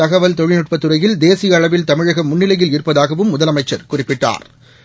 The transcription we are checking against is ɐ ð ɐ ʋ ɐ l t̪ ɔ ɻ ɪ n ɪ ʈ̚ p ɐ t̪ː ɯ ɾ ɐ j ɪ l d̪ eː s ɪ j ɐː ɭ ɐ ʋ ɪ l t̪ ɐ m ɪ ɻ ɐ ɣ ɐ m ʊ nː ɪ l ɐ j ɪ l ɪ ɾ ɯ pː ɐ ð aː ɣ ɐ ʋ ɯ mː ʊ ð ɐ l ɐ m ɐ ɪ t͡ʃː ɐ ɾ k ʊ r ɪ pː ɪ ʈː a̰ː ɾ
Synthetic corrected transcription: ɐ ɣ ɐ ʋ ɐ l t̪ ɔ ɻ ɪ n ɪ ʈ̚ p ɐ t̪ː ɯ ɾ ɐ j ɪ l d̪ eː s ɪ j ɐː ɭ ɐ ʋ ɪ l t̪ ɐ m ɪ ɻ ɐ ɣ ɐ m ʊ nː ɪ l ɐ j ɪ l ɪ ɾ ɯ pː ɐ ð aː ɣ ɐ ʋ ɯ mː ʊ ð ɐ l ɐ m ɐ ɪ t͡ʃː ɐ ɾ k ʊ r ɪ pː ɪ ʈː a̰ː ɾ